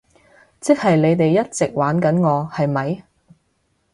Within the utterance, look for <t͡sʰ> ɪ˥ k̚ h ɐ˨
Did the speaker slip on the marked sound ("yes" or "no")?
yes